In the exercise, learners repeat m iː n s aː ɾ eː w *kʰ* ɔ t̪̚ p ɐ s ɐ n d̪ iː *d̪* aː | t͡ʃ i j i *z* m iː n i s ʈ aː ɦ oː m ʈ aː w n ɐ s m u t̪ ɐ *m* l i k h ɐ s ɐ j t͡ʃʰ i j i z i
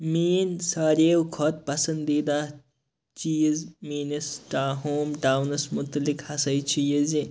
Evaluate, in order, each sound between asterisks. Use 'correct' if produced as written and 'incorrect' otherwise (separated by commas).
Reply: correct, correct, correct, incorrect